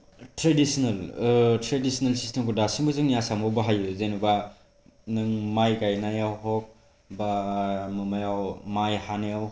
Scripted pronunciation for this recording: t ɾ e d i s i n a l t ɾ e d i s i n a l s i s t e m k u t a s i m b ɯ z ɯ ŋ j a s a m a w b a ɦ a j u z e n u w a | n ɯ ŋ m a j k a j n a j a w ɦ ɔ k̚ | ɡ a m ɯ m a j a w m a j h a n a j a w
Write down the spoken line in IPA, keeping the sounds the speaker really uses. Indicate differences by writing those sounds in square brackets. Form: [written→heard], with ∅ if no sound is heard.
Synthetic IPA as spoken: t ɾ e d i s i n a l t ɾ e d i s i n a l s i s t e m k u [t→d] a s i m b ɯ z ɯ ŋ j a s a m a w b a ɦ a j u z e n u [w→b] a | n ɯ ŋ m a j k a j n a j a w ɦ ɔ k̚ | [ɡ→b] a m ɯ m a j a w m a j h a n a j a w